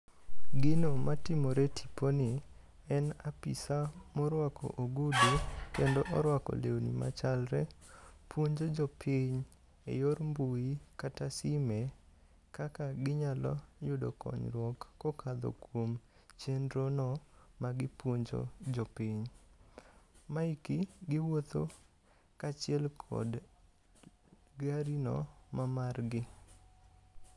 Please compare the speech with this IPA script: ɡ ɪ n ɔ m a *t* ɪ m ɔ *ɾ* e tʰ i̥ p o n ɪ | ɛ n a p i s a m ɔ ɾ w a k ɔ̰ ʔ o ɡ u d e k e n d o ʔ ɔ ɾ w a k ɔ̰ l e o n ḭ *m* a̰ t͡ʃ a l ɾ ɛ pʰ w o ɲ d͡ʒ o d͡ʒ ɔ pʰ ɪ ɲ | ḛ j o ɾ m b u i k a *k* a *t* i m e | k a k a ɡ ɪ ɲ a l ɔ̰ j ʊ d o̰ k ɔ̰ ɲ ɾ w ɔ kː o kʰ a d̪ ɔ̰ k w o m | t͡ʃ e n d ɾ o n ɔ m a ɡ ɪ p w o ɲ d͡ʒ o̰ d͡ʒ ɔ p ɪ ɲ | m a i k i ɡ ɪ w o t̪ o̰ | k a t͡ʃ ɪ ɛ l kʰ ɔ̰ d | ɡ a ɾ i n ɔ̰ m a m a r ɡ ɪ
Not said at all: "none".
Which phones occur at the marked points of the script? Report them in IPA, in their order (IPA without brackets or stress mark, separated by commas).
t, ɾ, m, t, s